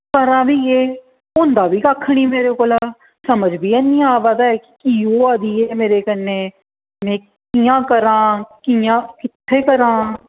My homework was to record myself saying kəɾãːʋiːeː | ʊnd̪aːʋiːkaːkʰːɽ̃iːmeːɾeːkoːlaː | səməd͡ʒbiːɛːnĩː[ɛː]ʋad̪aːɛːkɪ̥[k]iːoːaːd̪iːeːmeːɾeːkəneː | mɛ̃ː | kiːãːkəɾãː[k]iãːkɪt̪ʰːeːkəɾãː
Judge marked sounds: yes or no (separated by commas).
no, yes, yes